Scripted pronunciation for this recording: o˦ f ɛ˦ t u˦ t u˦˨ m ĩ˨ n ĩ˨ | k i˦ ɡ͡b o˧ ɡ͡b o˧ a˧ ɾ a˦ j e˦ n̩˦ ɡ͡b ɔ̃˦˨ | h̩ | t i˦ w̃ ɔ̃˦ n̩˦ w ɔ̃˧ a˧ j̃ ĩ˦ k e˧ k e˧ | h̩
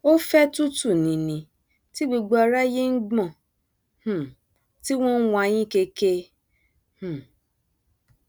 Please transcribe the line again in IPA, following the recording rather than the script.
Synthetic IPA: o˦ f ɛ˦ t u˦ t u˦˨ n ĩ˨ n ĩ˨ | t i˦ ɡ͡b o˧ ɡ͡b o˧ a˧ ɾ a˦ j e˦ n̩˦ ɡ͡b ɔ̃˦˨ | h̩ | t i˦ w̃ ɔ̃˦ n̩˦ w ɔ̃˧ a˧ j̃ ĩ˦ k e˧ k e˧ | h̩